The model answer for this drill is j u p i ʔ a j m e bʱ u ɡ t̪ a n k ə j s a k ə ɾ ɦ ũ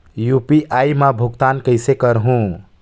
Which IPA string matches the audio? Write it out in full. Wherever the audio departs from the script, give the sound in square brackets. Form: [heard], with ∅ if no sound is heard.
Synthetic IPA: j u p i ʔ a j m [a] bʱ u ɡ t̪ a n k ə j s [e] k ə ɾ ɦ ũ

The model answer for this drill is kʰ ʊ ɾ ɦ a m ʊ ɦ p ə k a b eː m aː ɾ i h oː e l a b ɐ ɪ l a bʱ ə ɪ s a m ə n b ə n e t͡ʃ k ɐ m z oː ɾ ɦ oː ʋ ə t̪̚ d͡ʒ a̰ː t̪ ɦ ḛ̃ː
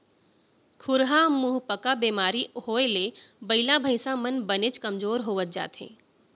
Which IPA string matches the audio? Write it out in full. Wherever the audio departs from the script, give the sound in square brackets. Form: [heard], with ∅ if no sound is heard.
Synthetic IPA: kʰ ʊ ɾ ɦ a m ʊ ɦ p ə k a b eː m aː ɾ i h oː e l [e] b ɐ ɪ l a bʱ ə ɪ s a m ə n b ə n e t͡ʃ k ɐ m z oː ɾ ɦ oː ʋ ə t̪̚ d͡ʒ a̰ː t̪ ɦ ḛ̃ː

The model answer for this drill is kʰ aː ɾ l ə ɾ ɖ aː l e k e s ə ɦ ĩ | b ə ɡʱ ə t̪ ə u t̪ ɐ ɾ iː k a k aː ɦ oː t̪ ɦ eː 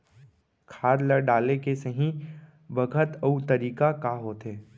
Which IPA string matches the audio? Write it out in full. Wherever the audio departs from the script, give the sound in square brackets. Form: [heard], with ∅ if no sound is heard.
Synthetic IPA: kʰ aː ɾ l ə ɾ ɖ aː l e k e s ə ɦ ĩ | b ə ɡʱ ə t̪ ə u t̪ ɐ ɾ iː k a k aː ɦ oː t̪ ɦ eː

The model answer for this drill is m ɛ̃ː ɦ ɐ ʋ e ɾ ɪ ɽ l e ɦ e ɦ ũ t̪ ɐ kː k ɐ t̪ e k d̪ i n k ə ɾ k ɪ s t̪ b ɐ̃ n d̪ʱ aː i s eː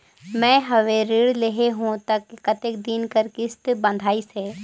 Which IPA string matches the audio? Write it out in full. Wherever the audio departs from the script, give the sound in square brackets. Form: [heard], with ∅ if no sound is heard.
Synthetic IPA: m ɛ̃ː ɦ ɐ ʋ e ɾ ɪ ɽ l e ɦ e ɦ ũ t̪ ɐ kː k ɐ t̪ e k d̪ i n k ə ɾ k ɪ s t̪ b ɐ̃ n d̪ʱ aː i s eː

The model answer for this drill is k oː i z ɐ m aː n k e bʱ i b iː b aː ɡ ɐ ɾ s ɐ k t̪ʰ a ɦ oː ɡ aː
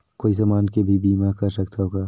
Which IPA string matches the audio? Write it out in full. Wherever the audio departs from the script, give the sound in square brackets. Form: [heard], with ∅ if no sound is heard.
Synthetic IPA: k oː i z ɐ m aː n k e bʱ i b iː [m] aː [k] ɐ ɾ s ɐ k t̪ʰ a ɦ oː ɡ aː

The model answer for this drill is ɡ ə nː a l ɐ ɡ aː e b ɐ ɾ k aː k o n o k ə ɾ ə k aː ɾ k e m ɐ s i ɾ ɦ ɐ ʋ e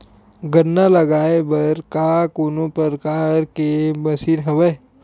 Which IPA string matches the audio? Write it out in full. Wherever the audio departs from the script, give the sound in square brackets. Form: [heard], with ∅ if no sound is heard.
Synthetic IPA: ɡ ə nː a l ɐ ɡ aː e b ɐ ɾ k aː k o n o [p] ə ɾ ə k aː ɾ k e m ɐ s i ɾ ɦ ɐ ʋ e

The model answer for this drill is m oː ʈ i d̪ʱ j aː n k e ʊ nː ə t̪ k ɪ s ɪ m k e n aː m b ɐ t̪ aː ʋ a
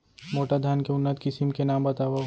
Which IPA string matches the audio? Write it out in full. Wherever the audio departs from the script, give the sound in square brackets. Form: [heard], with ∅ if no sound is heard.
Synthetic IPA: m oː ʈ [a] d̪ʱ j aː n k e ʊ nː ə t̪ k ɪ s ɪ m k e n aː m b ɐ t̪ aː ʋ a

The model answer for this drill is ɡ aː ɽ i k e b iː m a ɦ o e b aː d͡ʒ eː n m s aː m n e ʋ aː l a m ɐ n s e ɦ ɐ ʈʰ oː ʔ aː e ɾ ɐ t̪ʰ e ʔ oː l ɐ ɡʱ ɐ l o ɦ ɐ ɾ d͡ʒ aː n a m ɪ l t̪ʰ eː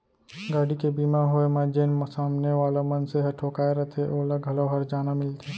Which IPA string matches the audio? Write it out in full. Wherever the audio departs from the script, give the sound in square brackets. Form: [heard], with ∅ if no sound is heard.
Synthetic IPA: ɡ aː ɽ i k e b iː m a ɦ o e [m] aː d͡ʒ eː n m s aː m n e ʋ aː l a m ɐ n s e ɦ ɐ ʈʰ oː [k] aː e ɾ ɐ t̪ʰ e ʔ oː l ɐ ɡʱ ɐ l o ɦ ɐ ɾ d͡ʒ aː n a m ɪ l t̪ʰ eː

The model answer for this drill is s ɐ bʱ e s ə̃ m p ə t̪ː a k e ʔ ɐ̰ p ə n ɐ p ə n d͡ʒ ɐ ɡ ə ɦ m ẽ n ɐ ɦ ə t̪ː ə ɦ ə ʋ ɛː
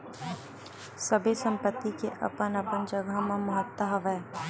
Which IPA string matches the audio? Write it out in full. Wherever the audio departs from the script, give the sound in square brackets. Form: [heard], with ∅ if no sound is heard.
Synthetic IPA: s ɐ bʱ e s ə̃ m p ə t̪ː [i] k e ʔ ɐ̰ p ə n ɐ p ə n d͡ʒ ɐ ɡ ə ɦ m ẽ [m] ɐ ɦ ə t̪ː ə ɦ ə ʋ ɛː

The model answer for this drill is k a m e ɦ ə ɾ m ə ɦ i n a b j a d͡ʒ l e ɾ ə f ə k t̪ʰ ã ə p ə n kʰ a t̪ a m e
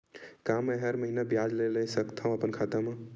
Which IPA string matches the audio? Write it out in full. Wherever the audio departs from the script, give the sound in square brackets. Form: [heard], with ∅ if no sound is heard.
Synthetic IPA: k a m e ɦ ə ɾ m ə ɦ i n a b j a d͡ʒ l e [l] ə [s] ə k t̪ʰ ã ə p ə n kʰ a t̪ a m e

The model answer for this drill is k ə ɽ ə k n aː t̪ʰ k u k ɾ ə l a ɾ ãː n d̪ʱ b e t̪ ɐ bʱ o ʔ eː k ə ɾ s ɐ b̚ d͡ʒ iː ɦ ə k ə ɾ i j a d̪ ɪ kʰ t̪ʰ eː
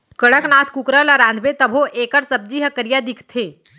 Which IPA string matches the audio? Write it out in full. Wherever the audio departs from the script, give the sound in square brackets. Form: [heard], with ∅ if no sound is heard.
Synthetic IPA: k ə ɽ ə k n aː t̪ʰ k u k ɾ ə l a ɾ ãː n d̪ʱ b e t̪ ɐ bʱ o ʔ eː k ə ɾ s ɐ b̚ d͡ʒ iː ɦ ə k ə ɾ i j a d̪ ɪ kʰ t̪ʰ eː

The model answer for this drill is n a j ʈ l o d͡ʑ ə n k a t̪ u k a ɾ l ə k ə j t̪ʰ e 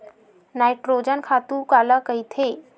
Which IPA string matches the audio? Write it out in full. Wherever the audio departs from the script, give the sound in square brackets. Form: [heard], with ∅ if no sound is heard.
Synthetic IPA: n a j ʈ [ɾ] o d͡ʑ ə n [kʰ] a t̪ u k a [∅] l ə k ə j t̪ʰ e

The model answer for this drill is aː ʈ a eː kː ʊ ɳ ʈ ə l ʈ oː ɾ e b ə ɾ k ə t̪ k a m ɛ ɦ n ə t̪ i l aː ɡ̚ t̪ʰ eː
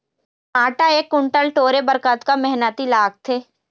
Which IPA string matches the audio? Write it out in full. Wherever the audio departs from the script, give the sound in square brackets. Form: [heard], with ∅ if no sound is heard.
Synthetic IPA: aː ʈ a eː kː ʊ ɳ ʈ ə l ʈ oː ɾ e b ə ɾ k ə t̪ k a m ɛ ɦ n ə t̪ i l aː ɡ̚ t̪ʰ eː

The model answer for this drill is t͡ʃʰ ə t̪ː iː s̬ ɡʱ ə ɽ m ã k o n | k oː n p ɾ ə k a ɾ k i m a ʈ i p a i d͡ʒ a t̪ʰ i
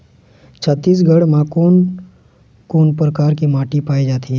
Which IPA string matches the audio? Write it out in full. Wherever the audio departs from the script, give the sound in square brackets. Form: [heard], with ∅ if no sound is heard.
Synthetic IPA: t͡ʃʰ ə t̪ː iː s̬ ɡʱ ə ɽ m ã k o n | k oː n p ɾ ə k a ɾ k i m a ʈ i p a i d͡ʒ a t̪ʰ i

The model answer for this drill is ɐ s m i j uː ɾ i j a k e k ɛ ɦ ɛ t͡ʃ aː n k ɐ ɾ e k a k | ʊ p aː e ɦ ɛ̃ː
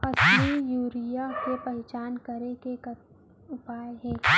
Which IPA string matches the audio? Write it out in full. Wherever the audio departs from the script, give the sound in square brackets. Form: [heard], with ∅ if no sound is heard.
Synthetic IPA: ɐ s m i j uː ɾ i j a k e [p] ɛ ɦ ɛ t͡ʃ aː n k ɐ ɾ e k [e] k | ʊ p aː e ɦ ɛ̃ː

